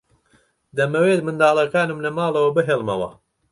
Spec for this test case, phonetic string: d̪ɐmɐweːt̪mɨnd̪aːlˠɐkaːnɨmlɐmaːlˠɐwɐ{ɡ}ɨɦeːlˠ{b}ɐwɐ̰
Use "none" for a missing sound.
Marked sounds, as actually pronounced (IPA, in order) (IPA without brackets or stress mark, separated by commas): b, m